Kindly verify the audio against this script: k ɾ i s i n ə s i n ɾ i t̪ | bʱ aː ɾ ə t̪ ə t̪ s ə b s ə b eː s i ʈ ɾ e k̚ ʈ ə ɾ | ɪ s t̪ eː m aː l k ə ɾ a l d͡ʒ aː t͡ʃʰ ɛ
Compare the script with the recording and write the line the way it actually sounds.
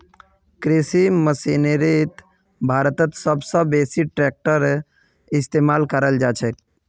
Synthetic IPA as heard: k ɾ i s i m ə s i n ɾ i t̪ | bʱ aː ɾ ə t̪ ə t̪ s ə b s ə b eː s i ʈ ɾ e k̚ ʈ ə ɾ | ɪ s t̪ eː m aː l k ə ɾ ə l d͡ʒ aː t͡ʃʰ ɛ